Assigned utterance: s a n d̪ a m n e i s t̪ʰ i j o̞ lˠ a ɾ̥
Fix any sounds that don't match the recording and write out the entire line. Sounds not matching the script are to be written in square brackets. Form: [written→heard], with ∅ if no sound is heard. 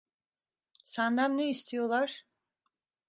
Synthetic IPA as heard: s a n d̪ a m n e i s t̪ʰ i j o̞ lˠ a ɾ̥